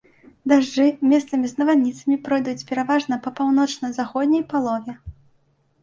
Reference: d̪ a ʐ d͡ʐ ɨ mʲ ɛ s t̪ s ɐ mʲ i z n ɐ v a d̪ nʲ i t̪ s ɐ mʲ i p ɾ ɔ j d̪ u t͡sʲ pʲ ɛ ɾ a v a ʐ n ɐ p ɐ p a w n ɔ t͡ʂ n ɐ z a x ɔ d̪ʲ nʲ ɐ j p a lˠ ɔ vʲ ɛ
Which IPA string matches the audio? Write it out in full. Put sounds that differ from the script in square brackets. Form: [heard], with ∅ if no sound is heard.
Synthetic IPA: d̪ a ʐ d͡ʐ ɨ mʲ ɛ s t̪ s ɐ mʲ i z n ɐ v a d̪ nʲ i t̪ s ɐ mʲ i p ɾ ɔ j d̪ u t͡sʲ pʲ ɛ ɾ a v a ʐ n ɐ p ɐ p a w n ɔ t͡ʂ n ɐ z a x ɔ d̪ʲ nʲ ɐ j p a lˠ ɔ vʲ ɛ